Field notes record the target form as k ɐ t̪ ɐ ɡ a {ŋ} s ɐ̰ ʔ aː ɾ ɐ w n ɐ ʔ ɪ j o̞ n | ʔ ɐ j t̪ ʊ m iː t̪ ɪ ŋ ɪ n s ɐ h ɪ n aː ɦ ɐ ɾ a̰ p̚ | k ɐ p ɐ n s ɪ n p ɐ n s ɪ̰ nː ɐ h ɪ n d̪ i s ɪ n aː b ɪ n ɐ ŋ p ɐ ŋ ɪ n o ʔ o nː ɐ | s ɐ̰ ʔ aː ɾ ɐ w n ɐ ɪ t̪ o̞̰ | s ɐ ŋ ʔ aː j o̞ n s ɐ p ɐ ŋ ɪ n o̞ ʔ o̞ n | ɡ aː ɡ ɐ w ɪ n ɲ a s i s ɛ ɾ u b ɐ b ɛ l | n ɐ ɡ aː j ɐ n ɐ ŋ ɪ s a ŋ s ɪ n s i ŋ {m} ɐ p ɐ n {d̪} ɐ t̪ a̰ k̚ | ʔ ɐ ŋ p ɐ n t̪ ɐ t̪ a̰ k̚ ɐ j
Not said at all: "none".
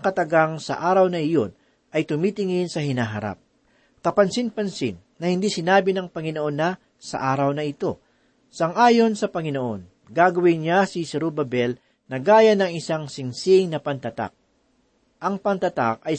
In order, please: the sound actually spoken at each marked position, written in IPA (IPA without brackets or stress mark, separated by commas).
ŋ, n, t̪